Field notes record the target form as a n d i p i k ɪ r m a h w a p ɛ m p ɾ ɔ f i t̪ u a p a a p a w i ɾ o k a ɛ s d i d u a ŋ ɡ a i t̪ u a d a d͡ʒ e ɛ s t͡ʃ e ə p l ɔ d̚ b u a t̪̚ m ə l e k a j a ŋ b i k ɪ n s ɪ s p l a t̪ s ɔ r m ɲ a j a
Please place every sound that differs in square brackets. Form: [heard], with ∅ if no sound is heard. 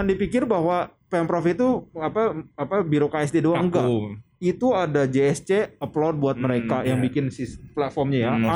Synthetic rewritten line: a n d i p i k ɪ r [b] a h w a p ɛ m p ɾ ɔ f i t̪ u a p a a p a [b] i ɾ o k a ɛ s d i d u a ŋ ɡ a i t̪ u a d a d͡ʒ e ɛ s t͡ʃ e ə p l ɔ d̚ b u a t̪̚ m ə [ɾ] e k a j a ŋ b i k ɪ n s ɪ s p l a t̪ [f] ɔ r m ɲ a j a